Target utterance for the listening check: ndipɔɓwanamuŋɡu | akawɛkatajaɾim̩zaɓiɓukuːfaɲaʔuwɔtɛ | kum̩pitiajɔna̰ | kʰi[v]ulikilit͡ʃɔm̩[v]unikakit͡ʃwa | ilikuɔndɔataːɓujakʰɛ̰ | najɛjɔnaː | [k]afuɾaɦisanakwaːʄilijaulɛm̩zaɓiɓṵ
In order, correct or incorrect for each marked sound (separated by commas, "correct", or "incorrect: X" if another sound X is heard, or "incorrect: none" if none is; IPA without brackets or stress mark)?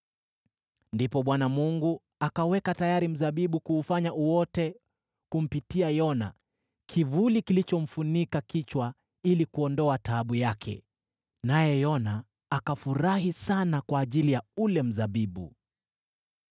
correct, incorrect: f, correct